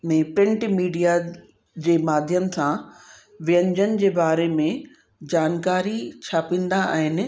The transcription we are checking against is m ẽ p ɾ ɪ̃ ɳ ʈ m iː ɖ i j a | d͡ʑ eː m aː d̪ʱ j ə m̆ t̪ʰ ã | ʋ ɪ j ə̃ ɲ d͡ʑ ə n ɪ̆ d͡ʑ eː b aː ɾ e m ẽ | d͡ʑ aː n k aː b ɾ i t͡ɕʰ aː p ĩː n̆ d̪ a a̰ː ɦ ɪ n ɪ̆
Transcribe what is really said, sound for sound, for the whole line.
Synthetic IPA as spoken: m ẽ p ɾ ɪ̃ ɳ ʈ m iː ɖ i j a | d͡ʑ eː m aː d̪ʱ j ə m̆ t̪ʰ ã | ʋ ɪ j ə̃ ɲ d͡ʑ ə n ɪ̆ d͡ʑ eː b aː ɾ e m ẽ | d͡ʑ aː n k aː ɾ i t͡ɕʰ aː p ĩː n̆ d̪ a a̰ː ɦ ɪ n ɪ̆